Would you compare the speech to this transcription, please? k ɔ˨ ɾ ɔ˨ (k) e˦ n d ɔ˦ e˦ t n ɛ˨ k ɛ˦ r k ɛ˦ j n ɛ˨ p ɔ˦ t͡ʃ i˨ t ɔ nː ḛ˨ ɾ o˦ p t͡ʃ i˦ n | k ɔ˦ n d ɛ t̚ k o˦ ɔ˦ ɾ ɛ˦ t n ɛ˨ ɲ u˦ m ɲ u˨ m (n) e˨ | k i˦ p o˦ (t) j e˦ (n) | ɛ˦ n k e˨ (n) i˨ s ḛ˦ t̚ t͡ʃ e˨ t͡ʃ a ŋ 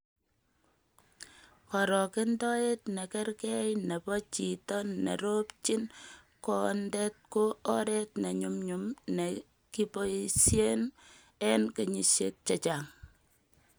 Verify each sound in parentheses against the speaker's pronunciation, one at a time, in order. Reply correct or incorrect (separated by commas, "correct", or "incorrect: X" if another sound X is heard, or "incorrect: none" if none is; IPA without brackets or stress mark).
correct, correct, incorrect: s, correct, incorrect: ɲ